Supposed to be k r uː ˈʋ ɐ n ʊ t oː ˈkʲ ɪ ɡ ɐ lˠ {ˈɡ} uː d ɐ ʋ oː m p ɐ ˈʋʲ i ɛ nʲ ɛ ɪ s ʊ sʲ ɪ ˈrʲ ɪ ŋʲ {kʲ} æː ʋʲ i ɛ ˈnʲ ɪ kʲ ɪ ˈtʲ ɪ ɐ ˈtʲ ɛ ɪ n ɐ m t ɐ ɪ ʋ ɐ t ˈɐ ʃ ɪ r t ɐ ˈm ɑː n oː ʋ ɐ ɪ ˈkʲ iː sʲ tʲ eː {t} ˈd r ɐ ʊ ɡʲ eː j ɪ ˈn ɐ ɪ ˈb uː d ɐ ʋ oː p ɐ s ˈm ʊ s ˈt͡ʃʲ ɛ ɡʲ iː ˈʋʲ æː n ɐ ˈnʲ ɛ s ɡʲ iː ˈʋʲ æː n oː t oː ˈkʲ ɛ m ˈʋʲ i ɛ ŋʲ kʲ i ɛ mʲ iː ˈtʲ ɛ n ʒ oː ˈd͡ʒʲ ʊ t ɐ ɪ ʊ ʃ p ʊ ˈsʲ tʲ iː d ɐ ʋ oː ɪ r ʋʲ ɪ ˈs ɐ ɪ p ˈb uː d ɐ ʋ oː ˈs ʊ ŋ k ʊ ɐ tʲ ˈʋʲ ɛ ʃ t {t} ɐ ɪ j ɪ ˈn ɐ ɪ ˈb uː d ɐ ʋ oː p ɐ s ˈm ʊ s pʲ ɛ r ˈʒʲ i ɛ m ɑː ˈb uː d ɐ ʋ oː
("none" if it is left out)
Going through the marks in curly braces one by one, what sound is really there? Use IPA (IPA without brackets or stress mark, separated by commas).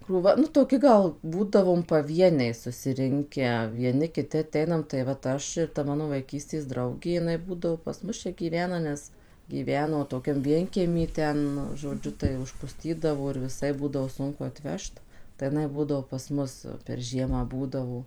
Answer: b, kʲ, s, t